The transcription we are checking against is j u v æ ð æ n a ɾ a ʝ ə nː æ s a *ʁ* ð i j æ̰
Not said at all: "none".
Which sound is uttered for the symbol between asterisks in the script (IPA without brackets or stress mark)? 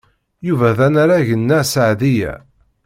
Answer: ʕ